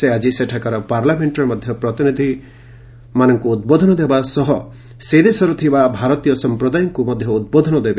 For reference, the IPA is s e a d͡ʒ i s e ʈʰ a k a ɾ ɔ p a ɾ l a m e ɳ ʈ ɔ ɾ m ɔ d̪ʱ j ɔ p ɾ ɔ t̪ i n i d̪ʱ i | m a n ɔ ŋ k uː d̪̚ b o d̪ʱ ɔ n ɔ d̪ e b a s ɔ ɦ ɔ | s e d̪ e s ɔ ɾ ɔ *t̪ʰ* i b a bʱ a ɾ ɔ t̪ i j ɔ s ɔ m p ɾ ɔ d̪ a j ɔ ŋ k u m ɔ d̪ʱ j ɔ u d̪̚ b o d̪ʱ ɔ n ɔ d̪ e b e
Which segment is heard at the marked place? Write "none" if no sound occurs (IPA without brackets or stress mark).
t̪ʰ